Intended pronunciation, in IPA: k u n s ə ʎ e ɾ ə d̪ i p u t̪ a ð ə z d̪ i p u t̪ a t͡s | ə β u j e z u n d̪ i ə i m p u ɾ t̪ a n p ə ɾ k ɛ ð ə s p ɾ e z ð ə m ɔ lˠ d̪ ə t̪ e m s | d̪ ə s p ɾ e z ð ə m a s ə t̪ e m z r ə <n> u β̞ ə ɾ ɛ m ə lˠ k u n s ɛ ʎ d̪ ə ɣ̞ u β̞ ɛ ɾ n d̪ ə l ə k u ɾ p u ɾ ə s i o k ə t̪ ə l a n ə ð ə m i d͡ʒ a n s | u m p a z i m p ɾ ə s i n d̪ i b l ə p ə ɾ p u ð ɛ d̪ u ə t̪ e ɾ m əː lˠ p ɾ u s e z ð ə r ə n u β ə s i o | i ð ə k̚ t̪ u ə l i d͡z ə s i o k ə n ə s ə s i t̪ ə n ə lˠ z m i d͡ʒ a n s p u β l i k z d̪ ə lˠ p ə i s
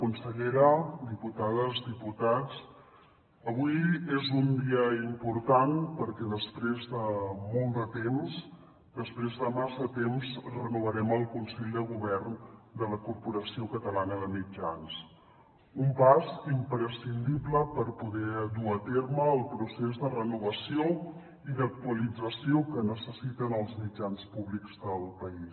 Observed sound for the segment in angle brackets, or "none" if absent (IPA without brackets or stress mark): n